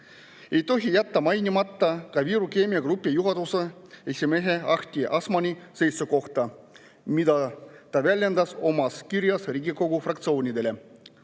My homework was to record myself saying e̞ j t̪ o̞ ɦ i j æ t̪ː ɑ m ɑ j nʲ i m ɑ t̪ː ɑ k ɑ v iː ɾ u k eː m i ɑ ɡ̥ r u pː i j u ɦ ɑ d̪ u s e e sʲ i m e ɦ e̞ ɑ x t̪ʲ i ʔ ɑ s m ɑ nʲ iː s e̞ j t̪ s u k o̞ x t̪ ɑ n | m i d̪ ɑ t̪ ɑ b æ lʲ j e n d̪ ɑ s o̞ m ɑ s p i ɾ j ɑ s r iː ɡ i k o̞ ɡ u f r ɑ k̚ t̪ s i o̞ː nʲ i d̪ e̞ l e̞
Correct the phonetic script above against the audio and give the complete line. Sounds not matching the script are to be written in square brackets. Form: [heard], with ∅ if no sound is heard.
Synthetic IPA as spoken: e̞ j t̪ o̞ ɦ i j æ t̪ː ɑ m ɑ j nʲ i m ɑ t̪ː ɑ k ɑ v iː ɾ u k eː m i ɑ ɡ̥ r u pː i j u ɦ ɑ d̪ u s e e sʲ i m e ɦ e̞ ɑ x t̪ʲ i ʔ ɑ s m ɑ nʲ [i] s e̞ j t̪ s u k o̞ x t̪ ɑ [∅] | m i d̪ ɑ t̪ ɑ [v] æ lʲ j e n d̪ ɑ s o̞ m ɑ s [k] i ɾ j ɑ s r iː ɡ i k o̞ ɡ u f r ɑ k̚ t̪ s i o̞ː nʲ i d̪ e̞ l e̞

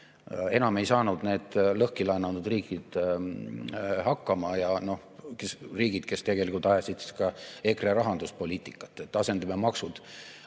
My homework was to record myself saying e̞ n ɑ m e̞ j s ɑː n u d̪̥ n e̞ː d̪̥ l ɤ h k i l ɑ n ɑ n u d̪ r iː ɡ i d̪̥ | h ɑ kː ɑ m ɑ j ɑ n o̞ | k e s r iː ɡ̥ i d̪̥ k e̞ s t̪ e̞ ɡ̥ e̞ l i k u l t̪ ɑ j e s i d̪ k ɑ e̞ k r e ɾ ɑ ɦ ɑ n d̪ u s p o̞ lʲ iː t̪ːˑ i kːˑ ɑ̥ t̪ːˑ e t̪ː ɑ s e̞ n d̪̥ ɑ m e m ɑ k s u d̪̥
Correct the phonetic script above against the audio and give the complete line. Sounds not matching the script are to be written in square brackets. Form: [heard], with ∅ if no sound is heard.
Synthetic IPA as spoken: e̞ n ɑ m e̞ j s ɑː n u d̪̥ n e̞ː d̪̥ l ɤ h k i l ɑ n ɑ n u d̪ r iː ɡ i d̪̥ | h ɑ kː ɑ m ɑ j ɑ n o̞ | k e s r iː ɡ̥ i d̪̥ k e̞ s t̪ e̞ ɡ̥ e̞ l i k u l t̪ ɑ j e s i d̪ k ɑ e̞ k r e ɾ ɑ ɦ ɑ n d̪ u s p o̞ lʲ iː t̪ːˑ i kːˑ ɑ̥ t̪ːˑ e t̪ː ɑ s e̞ n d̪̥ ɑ m e m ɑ k s u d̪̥

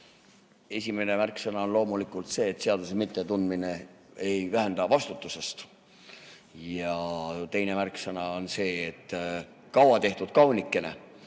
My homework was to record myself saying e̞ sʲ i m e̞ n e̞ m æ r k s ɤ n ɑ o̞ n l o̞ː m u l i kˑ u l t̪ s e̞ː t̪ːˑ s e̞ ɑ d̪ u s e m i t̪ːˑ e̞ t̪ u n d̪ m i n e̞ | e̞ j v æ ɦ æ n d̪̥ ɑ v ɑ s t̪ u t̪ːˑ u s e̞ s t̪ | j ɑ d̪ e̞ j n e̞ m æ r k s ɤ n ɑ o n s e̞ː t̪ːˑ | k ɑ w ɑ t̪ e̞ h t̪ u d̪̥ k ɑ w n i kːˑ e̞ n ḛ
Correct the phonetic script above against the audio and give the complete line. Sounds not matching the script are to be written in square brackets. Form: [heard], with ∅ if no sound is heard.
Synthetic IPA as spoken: e̞ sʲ i m e̞ n e̞ m æ r k s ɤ n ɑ o̞ n l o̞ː m u l i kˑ u l t̪ s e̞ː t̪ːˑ s e̞ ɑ d̪ u s e m i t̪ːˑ e̞ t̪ u n d̪ m i n e̞ | e̞ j v æ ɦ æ n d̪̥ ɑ v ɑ s t̪ u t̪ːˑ u s e̞ s t̪ | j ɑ [t̪] e̞ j n e̞ m æ r k s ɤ n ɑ o n s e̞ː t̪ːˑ | k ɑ w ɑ t̪ e̞ h t̪ u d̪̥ k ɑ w n i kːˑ e̞ n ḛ

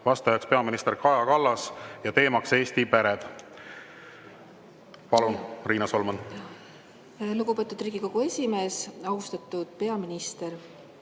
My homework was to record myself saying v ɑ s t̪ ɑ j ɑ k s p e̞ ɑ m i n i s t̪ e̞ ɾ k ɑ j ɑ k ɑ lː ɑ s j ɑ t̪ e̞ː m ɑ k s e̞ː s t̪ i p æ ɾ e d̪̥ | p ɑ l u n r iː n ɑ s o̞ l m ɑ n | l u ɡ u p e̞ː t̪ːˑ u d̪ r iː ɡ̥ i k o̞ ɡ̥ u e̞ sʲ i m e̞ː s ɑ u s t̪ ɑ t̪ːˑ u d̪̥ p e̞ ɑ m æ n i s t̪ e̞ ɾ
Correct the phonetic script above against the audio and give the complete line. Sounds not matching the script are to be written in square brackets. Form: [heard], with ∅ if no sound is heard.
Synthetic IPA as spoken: v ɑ s t̪ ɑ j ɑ k s p e̞ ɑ m i n i s t̪ e̞ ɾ k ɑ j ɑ k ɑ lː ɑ s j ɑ t̪ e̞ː m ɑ k s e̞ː s t̪ i p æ ɾ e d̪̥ | p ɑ l u n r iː n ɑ s o̞ l m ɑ n | l u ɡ u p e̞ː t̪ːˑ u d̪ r iː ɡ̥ i k o̞ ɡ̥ u e̞ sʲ i m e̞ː s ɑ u s t̪ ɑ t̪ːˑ u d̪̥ p e̞ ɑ m [i] n i s t̪ e̞ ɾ

